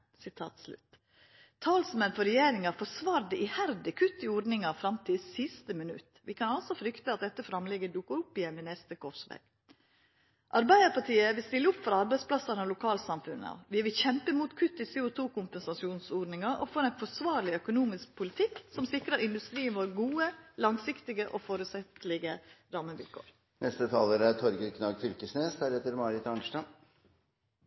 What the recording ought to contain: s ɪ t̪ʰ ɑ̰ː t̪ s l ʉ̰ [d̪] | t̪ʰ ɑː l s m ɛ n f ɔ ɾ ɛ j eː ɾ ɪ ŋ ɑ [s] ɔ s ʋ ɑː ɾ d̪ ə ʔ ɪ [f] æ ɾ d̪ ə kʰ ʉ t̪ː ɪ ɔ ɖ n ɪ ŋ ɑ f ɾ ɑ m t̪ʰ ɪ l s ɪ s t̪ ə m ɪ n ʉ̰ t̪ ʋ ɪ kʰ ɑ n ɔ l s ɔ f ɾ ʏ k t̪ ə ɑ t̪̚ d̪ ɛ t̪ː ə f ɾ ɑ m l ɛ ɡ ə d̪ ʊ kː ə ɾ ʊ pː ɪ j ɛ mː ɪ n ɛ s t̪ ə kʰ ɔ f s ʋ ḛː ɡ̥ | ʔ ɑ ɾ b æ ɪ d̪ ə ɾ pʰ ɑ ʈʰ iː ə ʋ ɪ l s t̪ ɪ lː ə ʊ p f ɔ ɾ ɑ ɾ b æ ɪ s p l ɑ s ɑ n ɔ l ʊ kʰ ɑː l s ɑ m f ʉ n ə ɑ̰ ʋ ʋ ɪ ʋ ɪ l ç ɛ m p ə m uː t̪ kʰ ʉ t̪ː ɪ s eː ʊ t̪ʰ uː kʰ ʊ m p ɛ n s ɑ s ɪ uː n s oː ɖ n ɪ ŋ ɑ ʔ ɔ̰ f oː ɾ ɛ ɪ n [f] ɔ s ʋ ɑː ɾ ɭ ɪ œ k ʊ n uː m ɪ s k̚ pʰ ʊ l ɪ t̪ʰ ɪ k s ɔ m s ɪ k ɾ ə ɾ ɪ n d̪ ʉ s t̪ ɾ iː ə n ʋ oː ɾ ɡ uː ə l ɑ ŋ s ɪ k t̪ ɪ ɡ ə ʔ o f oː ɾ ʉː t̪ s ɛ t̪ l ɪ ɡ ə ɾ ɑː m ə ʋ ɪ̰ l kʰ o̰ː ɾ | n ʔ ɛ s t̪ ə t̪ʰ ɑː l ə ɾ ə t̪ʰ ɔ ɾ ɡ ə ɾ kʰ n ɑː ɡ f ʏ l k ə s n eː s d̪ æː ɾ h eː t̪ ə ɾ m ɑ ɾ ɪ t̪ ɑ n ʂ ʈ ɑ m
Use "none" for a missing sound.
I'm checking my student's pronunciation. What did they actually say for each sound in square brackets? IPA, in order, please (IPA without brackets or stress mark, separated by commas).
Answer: t̪, f, h, f